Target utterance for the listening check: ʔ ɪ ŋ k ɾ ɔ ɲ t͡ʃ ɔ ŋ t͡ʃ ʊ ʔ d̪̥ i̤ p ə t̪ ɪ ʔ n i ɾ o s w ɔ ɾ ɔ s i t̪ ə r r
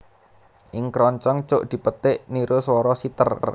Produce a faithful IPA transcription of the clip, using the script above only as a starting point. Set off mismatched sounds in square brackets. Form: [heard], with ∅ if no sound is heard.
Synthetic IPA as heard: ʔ ɪ ŋ k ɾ ɔ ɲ t͡ʃ ɔ ŋ t͡ʃ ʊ ʔ d̪̥ i̤ p ə t̪ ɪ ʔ n i ɾ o s w ɔ ɾ ɔ s i t̪ ə r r